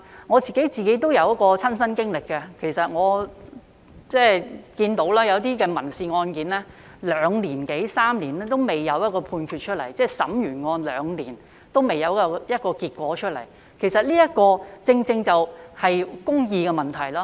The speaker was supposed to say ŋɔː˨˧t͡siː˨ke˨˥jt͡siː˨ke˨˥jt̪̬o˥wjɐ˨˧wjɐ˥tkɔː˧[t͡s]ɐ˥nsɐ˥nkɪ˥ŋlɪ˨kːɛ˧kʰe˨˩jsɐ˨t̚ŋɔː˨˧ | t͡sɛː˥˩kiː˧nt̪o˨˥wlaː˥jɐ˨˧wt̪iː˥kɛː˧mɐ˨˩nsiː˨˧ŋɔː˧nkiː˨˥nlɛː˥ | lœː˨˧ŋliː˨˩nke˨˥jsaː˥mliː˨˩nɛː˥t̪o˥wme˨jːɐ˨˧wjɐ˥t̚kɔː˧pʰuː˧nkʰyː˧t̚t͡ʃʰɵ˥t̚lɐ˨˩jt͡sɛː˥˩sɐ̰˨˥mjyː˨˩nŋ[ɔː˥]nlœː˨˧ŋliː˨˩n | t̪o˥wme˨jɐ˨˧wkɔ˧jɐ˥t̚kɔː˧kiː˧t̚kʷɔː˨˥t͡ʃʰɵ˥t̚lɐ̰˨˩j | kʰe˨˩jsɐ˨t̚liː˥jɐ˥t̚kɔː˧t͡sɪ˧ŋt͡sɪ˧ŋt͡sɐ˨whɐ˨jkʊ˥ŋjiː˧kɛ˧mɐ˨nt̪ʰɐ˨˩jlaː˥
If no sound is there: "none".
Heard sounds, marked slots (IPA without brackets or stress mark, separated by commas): t͡sʰ, ɔː˧